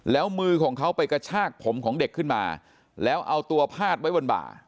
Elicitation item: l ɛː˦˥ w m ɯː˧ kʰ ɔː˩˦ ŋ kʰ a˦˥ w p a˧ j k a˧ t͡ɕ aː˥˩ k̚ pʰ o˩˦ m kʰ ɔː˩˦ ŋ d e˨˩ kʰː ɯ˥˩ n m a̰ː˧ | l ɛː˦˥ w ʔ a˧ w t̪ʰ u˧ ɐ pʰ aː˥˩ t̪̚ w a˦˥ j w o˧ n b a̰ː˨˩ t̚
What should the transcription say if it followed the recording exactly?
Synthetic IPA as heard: l ɛː˦˥ w m ɯː˧ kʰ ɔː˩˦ ŋ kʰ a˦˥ w p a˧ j k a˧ t͡ɕʰ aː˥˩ k̚ pʰ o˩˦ m kʰ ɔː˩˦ ŋ d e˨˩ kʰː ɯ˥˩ n m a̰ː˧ | l ɛː˦˥ w ʔ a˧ w t̪ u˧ ɐ pʰ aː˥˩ t̪̚ w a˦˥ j w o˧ n b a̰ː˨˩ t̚

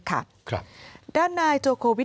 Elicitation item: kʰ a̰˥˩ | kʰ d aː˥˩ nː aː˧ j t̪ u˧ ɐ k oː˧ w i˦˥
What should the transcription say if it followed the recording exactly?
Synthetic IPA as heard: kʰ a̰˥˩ | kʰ d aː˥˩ nː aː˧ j t̪ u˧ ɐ kʰ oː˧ w i˦˥

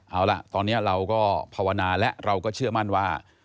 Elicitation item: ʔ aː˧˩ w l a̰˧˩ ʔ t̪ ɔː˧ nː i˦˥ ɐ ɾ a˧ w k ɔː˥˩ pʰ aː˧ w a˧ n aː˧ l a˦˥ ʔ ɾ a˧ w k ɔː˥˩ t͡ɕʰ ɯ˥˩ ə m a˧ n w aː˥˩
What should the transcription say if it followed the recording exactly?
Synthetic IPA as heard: ʔ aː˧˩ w l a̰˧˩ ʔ t̪ ɔː˧ nː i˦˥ ɐ ɾ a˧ w k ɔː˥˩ pʰ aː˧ w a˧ n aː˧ l ɛ˦˥ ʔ ɾ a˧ w k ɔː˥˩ t͡ɕʰ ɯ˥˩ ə m a˥˩ n w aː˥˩

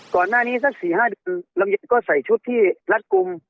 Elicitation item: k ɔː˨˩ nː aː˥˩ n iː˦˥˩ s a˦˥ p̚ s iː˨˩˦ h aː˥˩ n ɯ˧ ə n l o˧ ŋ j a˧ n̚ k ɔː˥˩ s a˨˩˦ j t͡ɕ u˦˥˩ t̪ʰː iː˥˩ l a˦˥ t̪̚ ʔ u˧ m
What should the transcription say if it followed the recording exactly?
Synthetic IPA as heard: k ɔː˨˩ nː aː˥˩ n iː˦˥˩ s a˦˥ k̚ s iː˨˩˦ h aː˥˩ d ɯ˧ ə n l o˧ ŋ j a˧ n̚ k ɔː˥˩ s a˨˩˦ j t͡ɕʰ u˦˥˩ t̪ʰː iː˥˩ l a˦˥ t̪̚ k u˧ m

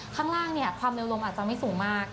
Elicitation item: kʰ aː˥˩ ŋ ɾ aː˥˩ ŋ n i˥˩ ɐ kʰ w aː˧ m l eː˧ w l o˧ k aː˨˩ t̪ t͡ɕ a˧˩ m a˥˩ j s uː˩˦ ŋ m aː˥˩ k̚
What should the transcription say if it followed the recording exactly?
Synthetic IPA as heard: kʰ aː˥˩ ŋ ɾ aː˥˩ ŋ n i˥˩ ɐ kʰ w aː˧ m l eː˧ w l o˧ ʔ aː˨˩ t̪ t͡ɕ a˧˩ m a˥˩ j s uː˩˦ ŋ m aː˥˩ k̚

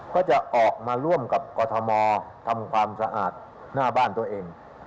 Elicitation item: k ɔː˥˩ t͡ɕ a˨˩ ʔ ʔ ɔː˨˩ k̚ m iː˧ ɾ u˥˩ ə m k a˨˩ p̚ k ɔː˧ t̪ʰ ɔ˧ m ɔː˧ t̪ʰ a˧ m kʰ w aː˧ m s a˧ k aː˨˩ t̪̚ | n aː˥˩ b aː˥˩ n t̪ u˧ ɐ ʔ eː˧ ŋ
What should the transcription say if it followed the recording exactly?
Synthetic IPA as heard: k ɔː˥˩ t͡ɕ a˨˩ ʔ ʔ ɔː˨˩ k̚ m aː˧ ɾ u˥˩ ə m k a˨˩ p̚ k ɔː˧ t̪ʰ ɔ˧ m ɔː˧ t̪ʰ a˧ m kʰ w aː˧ m s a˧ ʔ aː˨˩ t̪̚ | n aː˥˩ b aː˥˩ n t̪ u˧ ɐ ʔ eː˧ ŋ

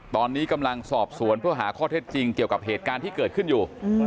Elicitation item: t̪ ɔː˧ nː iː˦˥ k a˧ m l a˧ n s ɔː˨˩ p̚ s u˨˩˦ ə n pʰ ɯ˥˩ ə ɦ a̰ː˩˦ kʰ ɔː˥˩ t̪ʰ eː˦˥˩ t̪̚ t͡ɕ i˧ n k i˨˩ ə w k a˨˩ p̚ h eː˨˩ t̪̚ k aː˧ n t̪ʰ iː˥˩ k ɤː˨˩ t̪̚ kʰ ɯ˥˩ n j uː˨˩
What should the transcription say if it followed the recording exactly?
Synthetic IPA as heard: t̪ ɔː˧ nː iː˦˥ k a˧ m l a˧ ŋ s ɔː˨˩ p̚ s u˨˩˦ ə n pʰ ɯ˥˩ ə ɦ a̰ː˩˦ kʰ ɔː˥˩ t̪ʰ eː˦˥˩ t̪̚ t͡ɕ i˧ ŋ k i˨˩ ə w k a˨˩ p̚ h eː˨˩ t̪̚ k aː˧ n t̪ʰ iː˥˩ k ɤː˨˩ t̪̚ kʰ ɯ˥˩ n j uː˨˩

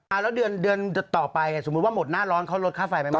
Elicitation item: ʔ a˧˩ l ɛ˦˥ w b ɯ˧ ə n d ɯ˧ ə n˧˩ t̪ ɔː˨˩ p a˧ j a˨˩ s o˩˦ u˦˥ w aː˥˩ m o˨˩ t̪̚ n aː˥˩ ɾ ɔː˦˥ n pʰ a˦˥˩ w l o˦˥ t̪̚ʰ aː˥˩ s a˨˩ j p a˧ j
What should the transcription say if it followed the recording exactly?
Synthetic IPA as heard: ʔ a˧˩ l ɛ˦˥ w d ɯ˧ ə n d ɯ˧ ə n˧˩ t̪ ɔː˨˩ p a˧ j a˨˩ s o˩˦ u˦˥ w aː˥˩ m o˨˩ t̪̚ n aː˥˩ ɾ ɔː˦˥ n kʰ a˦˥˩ w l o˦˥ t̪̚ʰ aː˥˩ f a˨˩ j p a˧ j

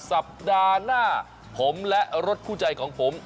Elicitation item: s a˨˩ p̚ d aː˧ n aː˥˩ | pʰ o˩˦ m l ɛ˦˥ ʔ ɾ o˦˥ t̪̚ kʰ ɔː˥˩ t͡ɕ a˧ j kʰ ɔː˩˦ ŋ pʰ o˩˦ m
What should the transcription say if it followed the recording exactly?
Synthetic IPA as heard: s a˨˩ p̚ d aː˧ n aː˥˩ | pʰ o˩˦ m l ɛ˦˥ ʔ ɾ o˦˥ t̪̚ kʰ uː˥˩ t͡ɕ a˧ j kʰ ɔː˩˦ ŋ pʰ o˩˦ m

